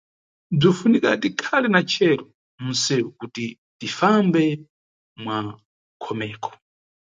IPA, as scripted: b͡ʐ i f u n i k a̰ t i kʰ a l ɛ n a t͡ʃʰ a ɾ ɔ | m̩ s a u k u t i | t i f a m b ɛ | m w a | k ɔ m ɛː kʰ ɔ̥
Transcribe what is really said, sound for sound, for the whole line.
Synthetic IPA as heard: b͡ʐ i f u n i k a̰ t i kʰ a l ɛ n a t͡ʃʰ ɛ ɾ ɔ | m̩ s ɛ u k u t i | t i f a m b ɛ | m w a | kʰ ɔ m ɛː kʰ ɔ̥